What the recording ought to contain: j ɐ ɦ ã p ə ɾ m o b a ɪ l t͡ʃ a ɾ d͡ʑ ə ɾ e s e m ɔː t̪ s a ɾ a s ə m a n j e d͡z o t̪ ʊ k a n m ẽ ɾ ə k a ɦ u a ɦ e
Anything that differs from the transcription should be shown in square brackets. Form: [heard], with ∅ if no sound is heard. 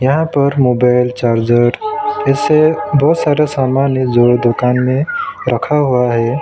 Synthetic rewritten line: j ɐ ɦ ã p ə ɾ m o b a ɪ l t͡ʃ a ɾ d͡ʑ ə ɾ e s e [b] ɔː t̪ s a ɾ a s [a] m a n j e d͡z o [d̪] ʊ k a n m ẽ ɾ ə [kʰ] a ɦ u a ɦ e